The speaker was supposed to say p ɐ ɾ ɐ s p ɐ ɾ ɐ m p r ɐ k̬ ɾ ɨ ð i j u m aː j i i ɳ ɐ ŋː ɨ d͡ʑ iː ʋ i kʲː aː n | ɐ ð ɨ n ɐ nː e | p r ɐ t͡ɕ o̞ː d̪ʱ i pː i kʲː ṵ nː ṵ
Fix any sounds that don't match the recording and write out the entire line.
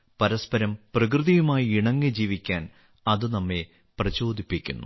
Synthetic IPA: p ɐ ɾ ɐ s p ɐ ɾ ɐ m p r ɐ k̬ r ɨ ð i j u m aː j i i ɳ ɐ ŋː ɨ d͡ʑ iː ʋ i kʲː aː n | ɐ ð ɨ n ɐ mː e | p r ɐ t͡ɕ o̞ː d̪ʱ i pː i kʲː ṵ nː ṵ